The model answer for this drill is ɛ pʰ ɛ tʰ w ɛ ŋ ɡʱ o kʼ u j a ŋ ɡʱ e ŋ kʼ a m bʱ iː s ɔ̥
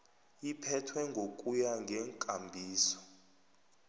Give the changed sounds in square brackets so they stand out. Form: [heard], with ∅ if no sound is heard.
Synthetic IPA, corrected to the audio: [i] pʰ ɛ tʰ w ɛ ŋ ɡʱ o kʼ u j a ŋ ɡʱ [ɛ] ŋ kʼ a m bʱ iː s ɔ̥